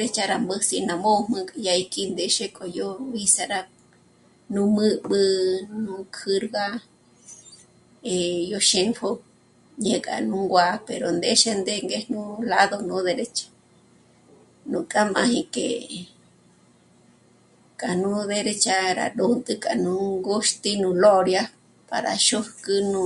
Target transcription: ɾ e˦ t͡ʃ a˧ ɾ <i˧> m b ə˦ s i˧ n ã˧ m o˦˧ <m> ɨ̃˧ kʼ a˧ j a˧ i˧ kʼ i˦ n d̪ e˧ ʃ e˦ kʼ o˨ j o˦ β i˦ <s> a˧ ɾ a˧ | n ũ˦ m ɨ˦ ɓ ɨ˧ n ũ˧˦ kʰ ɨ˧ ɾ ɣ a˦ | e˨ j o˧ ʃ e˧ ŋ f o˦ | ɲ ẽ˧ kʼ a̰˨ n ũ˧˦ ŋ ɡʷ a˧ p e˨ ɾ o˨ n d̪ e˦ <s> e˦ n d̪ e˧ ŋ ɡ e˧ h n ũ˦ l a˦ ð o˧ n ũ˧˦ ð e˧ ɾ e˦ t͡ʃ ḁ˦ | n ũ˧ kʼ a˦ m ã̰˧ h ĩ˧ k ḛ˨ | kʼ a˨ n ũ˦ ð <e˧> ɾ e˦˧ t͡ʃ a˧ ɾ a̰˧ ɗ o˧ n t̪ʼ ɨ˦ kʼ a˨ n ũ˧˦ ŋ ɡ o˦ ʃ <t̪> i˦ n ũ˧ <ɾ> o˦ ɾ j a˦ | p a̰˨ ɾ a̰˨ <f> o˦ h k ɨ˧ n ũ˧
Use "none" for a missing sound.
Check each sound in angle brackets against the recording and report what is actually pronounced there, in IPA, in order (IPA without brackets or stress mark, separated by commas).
a˧, m, s, ʃ, e˧, t̪, l, ʃ